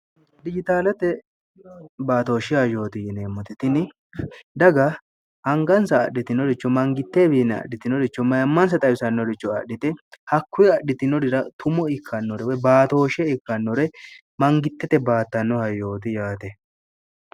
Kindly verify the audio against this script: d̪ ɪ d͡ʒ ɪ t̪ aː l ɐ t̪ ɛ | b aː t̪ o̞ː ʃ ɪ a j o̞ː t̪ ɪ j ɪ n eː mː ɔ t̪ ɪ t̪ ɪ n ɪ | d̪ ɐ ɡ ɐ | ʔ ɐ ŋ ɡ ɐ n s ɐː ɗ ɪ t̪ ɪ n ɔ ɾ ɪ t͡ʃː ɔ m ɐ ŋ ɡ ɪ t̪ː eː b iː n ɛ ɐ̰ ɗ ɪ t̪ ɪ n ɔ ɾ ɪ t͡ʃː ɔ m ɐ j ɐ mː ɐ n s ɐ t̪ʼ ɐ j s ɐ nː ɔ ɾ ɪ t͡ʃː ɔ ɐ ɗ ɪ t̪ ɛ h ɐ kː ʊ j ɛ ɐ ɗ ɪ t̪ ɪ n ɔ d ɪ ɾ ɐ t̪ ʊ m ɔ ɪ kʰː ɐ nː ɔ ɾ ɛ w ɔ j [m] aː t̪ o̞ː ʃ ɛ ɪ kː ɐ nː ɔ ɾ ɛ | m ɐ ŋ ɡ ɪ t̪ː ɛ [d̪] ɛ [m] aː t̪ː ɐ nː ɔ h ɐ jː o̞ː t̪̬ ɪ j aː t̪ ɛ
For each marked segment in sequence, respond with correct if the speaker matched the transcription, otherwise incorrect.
incorrect: b, incorrect: t̪, incorrect: b

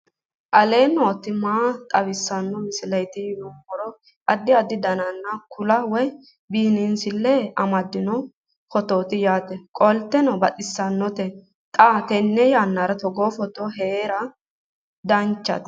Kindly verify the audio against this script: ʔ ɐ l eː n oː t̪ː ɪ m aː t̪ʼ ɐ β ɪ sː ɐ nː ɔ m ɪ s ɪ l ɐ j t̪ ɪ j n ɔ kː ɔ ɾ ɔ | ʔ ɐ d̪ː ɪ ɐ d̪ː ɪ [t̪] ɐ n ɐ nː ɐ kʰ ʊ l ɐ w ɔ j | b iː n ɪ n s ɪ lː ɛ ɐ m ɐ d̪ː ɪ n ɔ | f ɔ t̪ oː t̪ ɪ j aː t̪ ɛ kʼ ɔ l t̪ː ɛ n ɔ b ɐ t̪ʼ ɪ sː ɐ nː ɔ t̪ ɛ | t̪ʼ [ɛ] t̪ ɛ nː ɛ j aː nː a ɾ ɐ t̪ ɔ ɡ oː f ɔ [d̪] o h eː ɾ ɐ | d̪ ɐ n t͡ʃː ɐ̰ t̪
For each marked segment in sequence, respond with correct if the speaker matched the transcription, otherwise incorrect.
incorrect: d̪, incorrect: a, incorrect: t̪

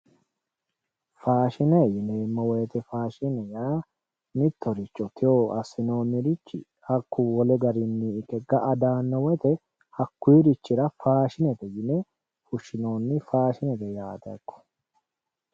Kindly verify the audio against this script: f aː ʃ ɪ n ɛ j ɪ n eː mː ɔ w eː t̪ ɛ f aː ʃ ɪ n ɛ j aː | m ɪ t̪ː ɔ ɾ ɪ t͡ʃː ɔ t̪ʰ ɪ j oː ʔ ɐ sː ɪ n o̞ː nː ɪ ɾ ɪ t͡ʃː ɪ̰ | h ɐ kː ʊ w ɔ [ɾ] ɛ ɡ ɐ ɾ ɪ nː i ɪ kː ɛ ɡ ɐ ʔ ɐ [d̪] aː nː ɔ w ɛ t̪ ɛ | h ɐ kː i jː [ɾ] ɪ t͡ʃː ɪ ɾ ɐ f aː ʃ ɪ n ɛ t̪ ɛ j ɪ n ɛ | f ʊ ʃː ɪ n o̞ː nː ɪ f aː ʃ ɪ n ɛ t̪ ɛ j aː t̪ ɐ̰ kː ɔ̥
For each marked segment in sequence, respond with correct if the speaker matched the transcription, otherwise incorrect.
incorrect: l, correct, correct

